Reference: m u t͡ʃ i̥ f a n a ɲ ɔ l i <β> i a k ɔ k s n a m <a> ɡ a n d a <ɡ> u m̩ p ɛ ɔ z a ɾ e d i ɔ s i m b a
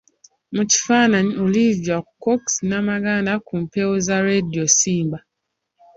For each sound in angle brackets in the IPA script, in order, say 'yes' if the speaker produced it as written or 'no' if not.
no, yes, no

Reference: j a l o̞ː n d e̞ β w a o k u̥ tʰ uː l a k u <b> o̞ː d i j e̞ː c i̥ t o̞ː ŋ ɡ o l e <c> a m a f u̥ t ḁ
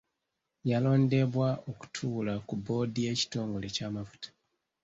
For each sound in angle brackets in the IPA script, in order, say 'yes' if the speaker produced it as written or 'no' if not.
yes, yes

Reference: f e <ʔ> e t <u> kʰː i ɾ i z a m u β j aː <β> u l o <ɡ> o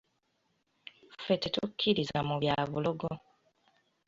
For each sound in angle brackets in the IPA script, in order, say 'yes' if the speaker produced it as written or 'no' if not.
no, yes, yes, yes

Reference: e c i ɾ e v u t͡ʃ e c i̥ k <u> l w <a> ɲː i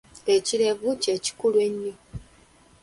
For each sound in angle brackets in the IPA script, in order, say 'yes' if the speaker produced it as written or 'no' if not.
yes, no

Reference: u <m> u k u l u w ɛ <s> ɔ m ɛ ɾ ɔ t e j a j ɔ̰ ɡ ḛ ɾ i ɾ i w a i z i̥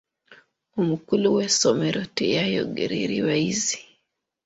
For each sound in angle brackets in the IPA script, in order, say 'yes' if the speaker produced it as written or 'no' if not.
yes, yes

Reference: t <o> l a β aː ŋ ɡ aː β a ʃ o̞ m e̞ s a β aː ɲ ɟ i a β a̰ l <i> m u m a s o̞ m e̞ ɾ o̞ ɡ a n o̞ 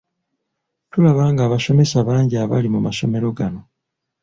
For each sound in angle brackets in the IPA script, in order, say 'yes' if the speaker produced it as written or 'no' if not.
no, yes

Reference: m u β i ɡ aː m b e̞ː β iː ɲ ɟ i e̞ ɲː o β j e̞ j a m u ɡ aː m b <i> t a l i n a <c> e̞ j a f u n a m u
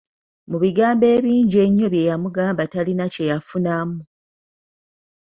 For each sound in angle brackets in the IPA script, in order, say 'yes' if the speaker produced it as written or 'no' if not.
no, yes

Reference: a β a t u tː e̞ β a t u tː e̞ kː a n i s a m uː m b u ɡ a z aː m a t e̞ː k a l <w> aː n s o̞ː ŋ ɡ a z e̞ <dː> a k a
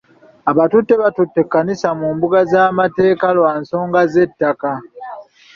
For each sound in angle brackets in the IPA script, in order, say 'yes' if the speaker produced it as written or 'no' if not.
yes, no

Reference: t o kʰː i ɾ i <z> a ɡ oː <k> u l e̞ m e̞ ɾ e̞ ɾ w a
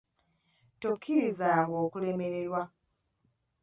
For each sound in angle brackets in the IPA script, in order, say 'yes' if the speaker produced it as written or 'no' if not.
yes, yes

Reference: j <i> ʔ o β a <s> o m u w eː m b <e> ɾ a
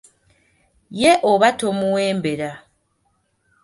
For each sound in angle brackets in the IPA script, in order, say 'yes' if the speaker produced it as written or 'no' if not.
no, no, yes

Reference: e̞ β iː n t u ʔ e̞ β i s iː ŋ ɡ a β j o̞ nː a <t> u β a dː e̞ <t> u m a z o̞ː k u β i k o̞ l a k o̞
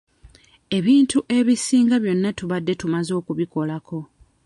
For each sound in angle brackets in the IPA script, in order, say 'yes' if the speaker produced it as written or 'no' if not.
yes, yes

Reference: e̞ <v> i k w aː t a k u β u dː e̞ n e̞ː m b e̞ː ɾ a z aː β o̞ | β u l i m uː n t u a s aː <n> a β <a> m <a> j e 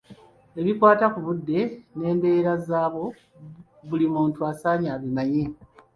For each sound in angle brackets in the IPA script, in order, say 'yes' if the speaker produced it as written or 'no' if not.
no, no, no, yes

